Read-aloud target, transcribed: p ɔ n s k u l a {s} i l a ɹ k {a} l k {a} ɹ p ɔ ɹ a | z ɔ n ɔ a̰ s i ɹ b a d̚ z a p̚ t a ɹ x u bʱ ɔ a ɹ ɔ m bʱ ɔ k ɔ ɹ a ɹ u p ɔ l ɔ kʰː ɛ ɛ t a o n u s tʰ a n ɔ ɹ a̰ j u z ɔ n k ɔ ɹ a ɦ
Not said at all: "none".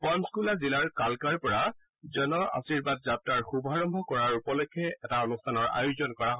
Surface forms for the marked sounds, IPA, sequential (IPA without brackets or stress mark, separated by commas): z, a, a